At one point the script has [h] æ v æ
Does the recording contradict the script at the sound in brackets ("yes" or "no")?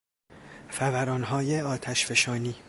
yes